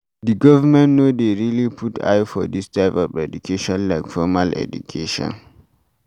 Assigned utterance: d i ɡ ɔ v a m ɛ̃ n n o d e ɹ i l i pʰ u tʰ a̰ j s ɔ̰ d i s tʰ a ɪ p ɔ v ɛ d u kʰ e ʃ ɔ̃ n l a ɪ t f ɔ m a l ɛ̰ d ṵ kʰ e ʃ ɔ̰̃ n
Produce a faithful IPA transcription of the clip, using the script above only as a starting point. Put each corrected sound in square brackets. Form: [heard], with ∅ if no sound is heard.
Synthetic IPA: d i ɡ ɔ v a m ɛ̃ n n o d e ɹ i l i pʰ u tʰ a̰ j [f] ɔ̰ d i s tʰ a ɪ p ɔ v ɛ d u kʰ e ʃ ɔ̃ n l a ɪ [k] f ɔ m a l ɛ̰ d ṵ kʰ e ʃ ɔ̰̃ n